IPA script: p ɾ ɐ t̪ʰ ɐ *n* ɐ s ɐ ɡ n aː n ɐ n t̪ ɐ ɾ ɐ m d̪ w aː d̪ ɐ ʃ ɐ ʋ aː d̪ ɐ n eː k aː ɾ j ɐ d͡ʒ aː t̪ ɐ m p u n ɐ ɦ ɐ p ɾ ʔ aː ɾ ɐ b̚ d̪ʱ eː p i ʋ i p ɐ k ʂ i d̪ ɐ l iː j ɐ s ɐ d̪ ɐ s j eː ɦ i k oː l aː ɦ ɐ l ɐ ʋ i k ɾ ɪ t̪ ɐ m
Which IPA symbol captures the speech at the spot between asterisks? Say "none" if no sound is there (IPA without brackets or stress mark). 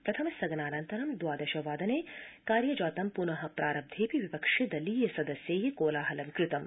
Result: m